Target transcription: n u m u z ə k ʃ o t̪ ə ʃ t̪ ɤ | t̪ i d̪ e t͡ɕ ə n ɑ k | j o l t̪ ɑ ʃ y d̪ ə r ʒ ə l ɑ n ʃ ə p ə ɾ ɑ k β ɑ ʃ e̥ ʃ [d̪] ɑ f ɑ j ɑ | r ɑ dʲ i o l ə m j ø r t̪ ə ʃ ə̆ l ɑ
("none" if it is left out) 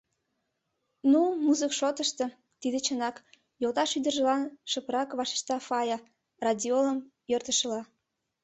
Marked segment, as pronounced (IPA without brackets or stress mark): t̪